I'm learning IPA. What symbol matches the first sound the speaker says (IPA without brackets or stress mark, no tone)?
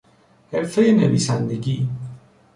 h